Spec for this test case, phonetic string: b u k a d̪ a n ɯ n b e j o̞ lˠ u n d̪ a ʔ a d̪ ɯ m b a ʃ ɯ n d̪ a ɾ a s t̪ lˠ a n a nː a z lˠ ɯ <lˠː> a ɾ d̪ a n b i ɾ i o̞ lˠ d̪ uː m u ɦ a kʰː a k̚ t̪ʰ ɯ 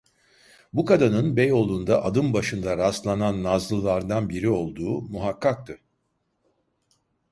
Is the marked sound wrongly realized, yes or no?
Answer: yes